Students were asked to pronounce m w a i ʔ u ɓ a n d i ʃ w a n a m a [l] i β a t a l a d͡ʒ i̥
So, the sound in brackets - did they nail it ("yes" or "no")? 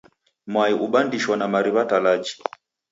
no